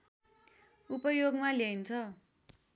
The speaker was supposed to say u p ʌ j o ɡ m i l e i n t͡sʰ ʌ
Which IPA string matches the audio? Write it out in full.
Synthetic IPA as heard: u p ʌ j o ɡ m a l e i n t͡sʰ ʌ